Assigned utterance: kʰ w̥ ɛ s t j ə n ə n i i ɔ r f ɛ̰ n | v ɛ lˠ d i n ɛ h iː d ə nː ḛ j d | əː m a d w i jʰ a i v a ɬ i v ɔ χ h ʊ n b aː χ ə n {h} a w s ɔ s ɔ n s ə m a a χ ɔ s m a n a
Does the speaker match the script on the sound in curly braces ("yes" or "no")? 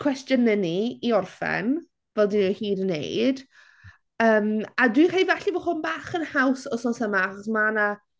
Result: yes